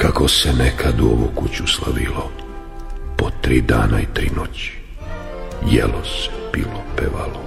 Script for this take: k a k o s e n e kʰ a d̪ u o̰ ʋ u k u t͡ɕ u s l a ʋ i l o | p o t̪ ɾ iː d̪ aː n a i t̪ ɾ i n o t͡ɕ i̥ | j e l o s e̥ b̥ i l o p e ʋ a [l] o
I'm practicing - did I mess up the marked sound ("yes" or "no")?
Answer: no